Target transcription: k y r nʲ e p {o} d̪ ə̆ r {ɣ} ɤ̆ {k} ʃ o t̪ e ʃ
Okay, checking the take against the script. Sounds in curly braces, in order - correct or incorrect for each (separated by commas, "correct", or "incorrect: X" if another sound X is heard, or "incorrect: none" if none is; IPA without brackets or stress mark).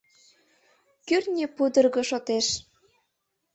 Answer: incorrect: u, correct, incorrect: none